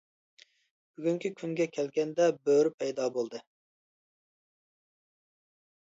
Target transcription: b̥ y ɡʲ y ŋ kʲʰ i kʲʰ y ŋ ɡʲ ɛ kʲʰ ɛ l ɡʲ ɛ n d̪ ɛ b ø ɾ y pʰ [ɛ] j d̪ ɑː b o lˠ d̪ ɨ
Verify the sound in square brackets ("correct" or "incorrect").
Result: correct